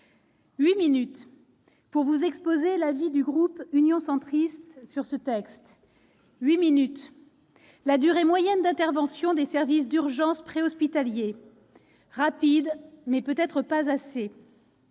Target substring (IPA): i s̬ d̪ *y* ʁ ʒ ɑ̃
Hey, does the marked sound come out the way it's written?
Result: yes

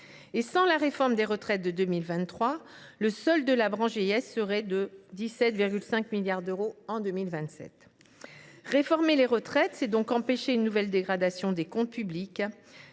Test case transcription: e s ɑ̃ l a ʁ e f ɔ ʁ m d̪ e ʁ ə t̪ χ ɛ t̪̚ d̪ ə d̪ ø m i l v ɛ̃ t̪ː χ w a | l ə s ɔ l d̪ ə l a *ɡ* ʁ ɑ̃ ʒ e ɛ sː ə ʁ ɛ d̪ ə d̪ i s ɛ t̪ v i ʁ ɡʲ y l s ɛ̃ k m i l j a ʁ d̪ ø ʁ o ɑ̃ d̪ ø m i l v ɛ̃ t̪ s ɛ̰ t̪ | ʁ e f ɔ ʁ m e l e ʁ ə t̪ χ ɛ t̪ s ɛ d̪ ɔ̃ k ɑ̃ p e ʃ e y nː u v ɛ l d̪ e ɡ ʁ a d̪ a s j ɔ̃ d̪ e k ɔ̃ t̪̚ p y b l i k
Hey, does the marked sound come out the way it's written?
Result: no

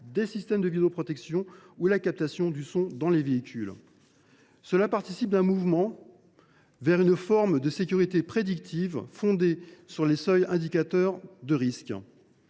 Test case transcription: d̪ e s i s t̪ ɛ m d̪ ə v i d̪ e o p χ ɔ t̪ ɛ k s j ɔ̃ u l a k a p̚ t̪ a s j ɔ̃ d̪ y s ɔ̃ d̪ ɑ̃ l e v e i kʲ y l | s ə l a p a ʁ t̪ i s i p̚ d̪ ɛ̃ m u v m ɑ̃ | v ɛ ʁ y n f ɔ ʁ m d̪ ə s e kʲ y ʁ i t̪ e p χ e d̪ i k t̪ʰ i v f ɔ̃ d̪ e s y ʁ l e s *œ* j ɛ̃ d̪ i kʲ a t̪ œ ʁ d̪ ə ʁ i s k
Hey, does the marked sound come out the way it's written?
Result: yes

